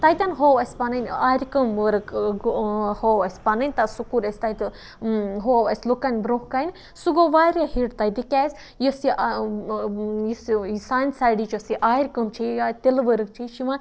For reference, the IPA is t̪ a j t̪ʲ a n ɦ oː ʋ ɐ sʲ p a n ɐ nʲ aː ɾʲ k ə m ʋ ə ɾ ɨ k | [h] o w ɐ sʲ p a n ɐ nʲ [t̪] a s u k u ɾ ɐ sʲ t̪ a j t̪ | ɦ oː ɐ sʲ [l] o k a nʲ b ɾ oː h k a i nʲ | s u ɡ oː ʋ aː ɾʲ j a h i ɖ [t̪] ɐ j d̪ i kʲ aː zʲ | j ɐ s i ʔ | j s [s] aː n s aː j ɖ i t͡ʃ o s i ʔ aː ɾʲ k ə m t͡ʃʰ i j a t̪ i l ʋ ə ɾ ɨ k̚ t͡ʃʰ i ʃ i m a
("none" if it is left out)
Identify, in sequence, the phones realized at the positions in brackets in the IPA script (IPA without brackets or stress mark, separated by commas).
h, t̪, l, t̪, s